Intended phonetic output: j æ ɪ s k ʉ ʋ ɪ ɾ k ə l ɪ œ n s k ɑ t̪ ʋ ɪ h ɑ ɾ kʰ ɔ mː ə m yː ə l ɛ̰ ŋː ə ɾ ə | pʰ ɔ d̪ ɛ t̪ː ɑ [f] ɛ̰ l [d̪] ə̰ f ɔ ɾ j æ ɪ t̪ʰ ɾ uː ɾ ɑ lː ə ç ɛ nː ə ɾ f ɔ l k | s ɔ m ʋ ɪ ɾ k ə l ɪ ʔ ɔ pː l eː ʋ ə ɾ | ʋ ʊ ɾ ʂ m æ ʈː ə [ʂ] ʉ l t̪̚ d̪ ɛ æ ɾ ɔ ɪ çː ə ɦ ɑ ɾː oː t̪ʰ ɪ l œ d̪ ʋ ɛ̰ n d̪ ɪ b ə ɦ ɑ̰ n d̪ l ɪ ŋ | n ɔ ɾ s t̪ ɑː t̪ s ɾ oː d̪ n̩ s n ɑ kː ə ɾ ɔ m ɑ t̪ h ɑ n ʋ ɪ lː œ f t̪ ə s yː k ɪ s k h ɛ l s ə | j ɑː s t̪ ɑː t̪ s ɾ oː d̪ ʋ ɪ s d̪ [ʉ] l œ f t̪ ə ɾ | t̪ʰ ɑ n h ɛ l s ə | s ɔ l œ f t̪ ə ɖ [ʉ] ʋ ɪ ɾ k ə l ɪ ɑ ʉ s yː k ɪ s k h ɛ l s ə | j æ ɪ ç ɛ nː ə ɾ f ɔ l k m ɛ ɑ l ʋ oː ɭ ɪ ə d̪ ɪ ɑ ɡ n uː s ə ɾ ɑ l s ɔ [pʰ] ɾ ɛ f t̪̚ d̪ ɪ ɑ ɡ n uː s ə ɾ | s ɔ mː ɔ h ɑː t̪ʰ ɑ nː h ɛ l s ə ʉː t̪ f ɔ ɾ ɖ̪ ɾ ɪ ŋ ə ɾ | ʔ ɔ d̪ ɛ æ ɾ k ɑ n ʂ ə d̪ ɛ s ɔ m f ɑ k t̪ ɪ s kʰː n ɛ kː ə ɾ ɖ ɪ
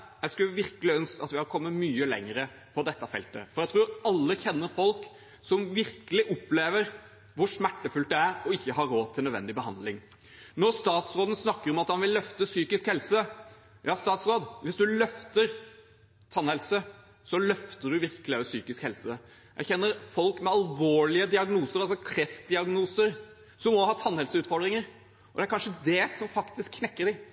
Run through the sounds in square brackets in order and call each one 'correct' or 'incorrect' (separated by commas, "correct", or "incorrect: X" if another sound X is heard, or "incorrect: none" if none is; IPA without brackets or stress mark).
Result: correct, incorrect: t̪, incorrect: f, correct, correct, incorrect: kʰ